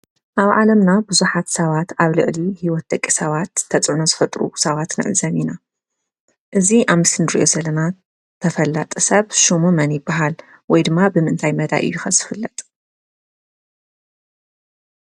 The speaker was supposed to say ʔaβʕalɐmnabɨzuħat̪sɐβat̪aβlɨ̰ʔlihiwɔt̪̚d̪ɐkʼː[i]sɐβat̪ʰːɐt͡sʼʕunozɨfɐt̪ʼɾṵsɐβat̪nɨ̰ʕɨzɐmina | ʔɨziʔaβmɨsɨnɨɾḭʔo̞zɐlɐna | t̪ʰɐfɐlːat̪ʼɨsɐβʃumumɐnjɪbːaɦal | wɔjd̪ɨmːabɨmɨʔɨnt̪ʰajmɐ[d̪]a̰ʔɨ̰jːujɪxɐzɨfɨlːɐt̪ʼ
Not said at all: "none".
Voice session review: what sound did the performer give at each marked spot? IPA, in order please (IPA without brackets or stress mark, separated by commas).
i, d̪